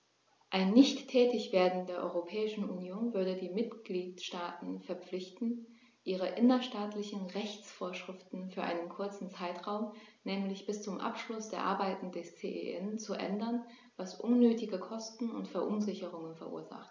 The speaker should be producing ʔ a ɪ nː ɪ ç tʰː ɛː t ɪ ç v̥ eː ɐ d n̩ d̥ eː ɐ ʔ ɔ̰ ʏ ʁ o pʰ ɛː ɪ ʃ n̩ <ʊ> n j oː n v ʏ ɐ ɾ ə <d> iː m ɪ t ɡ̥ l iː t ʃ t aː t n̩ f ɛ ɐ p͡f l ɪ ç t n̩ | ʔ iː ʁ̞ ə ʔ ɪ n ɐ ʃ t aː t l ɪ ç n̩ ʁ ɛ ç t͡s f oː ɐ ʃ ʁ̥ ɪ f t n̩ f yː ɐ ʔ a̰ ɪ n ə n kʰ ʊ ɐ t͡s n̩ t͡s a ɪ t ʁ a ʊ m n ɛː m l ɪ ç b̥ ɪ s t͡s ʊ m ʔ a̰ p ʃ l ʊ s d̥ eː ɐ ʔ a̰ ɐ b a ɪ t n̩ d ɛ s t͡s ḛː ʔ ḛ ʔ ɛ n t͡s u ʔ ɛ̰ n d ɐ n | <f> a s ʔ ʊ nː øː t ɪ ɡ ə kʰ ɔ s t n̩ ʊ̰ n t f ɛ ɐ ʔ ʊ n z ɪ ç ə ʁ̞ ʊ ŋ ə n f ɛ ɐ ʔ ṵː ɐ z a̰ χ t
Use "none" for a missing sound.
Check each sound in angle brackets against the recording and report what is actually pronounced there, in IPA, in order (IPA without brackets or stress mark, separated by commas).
u, d, v